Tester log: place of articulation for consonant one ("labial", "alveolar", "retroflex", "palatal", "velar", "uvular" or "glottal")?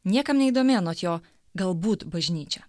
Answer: alveolar